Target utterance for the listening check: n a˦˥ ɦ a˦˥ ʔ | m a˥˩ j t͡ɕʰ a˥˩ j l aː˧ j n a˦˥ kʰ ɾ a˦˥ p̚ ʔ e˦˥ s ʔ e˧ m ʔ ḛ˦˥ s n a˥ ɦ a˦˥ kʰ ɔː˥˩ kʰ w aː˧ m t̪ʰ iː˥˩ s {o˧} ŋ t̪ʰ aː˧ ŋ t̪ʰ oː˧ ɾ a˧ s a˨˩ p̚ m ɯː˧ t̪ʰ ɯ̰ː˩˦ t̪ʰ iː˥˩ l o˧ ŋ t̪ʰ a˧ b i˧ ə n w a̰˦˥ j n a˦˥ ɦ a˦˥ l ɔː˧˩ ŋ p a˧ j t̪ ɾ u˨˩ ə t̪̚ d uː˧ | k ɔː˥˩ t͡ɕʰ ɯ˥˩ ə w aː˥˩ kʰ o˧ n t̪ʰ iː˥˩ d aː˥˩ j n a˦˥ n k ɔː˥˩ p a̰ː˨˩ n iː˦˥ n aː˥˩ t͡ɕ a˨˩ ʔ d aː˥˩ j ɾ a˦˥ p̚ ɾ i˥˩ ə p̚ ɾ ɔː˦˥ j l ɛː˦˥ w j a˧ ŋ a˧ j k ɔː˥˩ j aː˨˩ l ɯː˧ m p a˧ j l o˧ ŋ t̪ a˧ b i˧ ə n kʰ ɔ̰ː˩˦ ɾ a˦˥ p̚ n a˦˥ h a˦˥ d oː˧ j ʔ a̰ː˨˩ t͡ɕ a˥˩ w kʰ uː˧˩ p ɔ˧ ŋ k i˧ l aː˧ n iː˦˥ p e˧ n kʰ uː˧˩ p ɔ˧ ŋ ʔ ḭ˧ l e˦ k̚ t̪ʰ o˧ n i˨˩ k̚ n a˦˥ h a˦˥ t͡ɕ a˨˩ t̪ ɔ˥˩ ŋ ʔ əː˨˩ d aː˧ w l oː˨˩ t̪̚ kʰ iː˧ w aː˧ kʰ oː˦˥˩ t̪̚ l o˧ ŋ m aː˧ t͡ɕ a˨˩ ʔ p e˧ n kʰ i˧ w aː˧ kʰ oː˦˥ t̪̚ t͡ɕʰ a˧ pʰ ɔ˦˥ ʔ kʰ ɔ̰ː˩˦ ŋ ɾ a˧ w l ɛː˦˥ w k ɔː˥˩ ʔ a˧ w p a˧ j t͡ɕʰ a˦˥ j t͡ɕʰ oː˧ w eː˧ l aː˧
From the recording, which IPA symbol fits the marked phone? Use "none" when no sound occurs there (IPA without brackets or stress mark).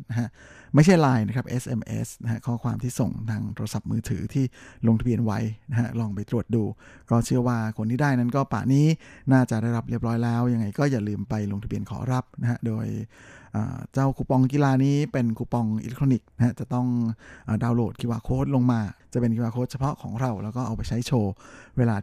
o˨˩